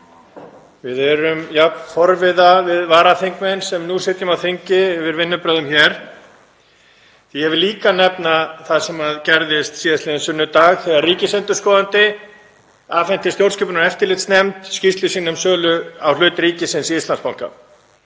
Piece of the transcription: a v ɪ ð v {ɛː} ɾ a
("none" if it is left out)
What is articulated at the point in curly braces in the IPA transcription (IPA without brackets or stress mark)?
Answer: aː